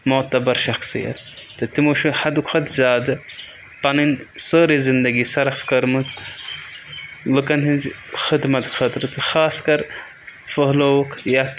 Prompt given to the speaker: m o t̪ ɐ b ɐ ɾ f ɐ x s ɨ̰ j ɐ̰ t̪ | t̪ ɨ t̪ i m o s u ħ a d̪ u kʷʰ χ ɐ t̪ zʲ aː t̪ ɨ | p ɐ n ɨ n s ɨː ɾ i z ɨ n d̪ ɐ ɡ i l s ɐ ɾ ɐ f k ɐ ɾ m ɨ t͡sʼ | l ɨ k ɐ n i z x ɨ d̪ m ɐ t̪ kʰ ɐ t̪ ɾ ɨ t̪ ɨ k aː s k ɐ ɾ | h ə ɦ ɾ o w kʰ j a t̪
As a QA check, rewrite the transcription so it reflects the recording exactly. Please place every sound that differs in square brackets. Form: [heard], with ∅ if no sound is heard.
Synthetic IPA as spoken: m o t̪ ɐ b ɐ ɾ [ʃ] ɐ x s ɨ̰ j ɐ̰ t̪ | t̪ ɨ t̪ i m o [ʃ] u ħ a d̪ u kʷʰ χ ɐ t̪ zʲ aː [d̪] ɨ | p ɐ n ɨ n s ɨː ɾ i z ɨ n d̪ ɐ ɡ i [∅] s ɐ ɾ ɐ f k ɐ ɾ m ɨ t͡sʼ | l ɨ k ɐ n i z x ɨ d̪ m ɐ t̪ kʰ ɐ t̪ ɾ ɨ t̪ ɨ [x] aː s k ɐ ɾ | [f] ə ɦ [l] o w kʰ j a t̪